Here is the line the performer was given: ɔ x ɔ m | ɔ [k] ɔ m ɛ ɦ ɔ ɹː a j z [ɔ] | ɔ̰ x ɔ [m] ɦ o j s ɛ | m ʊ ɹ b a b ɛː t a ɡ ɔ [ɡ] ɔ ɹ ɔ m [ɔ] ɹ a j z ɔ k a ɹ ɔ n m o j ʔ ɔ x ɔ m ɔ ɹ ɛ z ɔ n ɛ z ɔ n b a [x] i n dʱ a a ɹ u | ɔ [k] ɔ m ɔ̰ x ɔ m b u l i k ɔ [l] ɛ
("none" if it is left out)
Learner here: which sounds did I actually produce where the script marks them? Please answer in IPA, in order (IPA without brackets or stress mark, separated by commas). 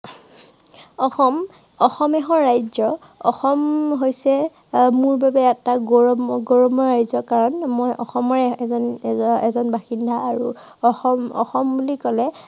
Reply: x, ɔ, m, ɡ, ɔ, x, x, l